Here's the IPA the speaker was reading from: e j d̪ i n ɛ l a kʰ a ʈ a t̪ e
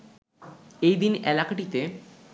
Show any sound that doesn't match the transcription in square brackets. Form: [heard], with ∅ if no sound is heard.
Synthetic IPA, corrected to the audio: e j d̪ i n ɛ l a [k] a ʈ [i] t̪ e